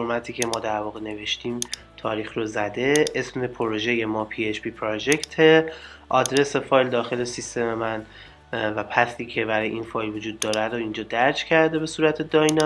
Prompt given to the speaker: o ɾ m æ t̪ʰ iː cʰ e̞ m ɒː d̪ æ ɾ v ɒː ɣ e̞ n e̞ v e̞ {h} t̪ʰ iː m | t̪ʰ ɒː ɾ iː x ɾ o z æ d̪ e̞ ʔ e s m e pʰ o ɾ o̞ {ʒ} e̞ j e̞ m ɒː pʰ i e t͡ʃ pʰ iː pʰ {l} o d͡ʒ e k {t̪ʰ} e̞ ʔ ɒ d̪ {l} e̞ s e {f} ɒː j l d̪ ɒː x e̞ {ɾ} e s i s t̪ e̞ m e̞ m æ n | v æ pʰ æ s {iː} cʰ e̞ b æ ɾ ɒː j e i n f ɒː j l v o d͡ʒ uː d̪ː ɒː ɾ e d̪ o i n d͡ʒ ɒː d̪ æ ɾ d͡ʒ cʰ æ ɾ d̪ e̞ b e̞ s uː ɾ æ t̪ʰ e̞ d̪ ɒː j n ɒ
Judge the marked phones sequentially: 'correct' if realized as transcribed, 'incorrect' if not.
incorrect: ʃ, correct, incorrect: ɾ, correct, incorrect: ɾ, correct, incorrect: l, correct

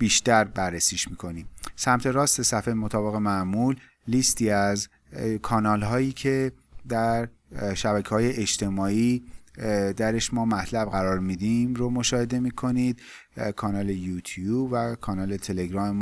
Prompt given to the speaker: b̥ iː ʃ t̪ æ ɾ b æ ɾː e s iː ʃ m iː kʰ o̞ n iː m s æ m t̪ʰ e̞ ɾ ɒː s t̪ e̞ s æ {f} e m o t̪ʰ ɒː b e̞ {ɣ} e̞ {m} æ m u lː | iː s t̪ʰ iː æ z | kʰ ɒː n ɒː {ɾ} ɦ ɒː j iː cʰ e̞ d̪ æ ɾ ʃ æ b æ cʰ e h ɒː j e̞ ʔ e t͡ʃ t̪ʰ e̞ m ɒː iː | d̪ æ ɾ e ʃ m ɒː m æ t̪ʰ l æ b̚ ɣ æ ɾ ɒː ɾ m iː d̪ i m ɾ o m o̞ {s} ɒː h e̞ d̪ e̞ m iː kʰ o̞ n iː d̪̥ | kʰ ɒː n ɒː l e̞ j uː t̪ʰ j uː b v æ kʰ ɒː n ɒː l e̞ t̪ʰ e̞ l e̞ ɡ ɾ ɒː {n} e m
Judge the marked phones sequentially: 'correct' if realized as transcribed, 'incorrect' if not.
correct, correct, correct, incorrect: l, incorrect: ʃ, incorrect: m

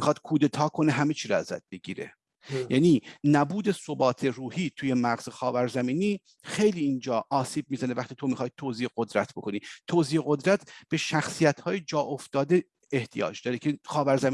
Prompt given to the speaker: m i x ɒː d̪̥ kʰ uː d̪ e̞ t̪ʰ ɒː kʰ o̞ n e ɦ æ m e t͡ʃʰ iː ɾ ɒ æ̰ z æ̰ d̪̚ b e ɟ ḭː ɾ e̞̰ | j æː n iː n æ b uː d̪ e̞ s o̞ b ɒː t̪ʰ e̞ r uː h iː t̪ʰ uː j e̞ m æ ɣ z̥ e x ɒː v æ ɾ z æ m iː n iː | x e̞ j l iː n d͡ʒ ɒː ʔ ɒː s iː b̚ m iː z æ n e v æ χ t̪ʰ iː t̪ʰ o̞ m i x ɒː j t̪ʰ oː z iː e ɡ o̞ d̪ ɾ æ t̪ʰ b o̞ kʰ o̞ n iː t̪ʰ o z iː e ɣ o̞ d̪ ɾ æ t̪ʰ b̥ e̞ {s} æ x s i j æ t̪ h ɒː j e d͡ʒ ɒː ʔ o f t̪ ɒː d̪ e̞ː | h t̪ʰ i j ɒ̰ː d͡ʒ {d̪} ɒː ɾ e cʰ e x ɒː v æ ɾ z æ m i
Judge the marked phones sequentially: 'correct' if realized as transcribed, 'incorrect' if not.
incorrect: ʃ, correct

